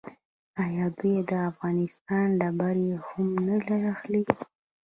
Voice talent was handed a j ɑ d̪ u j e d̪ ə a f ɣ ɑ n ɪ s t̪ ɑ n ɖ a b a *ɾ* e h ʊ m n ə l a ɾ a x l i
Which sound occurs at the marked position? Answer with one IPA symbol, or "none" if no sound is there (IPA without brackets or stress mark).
ɾ